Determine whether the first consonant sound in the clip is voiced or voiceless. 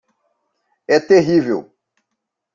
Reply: voiceless